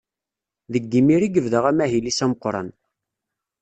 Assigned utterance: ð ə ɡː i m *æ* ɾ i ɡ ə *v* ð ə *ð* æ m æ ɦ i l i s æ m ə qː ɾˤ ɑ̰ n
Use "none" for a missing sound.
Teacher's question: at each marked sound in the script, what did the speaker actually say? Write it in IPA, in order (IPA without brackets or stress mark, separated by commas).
i, v, ʁ